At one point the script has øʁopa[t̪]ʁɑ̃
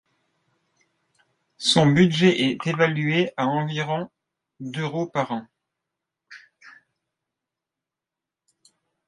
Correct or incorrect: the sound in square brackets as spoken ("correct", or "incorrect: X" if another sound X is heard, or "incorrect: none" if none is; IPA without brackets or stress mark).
incorrect: none